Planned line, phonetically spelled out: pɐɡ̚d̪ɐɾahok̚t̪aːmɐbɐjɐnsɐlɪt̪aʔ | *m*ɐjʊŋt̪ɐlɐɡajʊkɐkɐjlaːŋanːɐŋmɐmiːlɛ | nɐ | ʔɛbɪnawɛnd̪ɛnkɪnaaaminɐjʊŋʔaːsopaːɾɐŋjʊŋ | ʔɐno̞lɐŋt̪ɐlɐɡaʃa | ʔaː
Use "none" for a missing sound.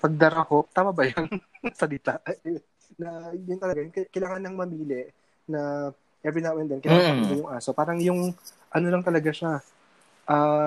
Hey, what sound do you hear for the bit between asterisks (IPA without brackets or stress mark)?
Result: n